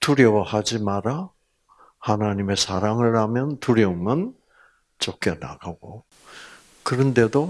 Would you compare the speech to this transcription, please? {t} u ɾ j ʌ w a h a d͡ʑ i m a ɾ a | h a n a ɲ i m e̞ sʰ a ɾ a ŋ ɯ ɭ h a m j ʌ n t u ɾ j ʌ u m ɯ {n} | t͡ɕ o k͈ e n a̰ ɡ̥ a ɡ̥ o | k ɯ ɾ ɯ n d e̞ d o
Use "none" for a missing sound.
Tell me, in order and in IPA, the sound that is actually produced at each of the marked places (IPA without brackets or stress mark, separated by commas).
t, n